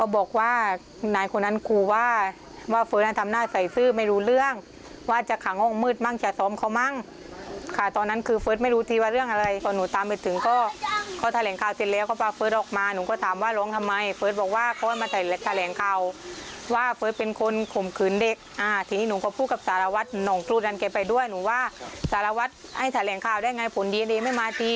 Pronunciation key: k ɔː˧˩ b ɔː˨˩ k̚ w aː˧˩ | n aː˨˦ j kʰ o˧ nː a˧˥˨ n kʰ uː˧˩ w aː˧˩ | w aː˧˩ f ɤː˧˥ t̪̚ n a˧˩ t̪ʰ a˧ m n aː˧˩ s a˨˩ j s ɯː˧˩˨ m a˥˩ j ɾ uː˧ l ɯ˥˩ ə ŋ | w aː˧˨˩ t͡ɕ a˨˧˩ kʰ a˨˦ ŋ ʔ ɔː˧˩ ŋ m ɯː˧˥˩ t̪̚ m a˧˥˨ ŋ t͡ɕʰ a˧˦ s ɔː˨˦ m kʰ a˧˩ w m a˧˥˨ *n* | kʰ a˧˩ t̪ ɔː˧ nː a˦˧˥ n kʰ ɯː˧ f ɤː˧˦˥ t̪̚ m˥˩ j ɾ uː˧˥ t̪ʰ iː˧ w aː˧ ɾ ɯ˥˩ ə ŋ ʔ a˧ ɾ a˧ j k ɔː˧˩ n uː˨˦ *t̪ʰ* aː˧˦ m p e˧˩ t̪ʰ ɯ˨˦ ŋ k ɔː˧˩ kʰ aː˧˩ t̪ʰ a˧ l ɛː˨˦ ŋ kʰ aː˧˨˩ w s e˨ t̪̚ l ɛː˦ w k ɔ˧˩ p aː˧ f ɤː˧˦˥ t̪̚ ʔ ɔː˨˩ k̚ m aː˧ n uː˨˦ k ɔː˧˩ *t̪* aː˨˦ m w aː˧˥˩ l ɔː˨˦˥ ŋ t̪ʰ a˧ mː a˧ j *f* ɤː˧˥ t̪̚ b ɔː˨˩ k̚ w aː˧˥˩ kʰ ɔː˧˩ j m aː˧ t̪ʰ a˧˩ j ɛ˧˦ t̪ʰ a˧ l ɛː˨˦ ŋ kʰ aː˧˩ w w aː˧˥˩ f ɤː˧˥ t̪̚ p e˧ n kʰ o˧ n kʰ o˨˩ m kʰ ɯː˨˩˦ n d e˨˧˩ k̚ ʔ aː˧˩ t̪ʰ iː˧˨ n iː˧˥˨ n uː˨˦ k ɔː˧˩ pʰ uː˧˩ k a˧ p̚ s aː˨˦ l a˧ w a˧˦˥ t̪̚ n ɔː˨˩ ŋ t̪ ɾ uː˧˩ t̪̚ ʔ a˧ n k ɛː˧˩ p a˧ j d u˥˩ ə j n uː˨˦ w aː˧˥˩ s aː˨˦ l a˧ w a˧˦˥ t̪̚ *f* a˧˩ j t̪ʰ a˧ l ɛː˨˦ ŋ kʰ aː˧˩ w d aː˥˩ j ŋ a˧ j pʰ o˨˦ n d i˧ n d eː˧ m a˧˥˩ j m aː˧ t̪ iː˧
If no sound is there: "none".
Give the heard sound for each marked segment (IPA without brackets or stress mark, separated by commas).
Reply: ŋ, t̪, t̪ʰ, f, h